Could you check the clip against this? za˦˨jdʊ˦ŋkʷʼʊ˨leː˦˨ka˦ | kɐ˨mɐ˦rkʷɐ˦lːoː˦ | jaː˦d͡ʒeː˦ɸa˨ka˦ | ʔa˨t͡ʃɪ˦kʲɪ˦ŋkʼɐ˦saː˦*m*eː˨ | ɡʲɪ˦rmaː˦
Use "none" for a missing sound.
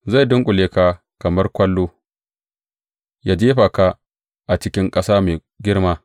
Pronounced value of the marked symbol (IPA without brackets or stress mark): m